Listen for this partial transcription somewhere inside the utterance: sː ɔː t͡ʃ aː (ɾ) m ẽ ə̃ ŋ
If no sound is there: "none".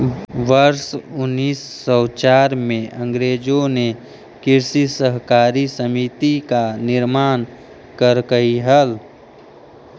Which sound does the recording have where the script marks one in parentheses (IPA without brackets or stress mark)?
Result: ɾ